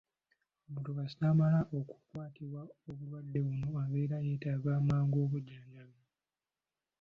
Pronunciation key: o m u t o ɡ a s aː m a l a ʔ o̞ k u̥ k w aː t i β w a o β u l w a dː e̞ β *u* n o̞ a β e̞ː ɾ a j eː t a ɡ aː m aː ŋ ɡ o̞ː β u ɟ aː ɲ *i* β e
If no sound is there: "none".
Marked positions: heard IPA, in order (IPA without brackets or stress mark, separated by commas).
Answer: u, a